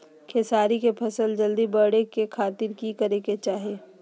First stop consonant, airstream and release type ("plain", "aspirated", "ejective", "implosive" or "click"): aspirated